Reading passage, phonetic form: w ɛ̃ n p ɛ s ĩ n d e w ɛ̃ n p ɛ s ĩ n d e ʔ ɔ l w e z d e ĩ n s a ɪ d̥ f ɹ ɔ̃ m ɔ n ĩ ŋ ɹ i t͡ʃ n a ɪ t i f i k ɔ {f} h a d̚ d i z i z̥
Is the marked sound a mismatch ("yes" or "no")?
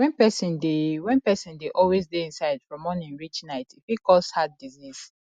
yes